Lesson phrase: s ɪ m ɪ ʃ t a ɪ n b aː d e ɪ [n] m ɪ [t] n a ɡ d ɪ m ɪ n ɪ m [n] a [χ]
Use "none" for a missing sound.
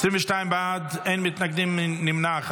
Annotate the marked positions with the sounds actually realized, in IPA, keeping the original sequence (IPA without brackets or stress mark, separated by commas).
n, t, n, χ